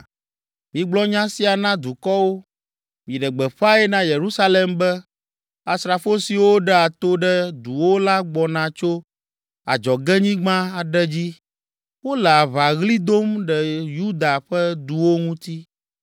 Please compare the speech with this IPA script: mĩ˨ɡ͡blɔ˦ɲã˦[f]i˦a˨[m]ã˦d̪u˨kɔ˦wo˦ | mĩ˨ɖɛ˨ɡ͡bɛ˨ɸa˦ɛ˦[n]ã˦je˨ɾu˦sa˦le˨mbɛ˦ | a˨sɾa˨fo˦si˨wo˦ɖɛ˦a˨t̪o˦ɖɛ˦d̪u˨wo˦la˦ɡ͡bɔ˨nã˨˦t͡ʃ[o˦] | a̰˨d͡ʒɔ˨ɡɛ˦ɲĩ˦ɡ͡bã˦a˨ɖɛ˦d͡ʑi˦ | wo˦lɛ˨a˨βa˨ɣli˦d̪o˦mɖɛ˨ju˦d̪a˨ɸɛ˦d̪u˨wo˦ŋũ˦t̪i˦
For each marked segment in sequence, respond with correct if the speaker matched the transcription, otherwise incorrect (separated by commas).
incorrect, incorrect, correct, correct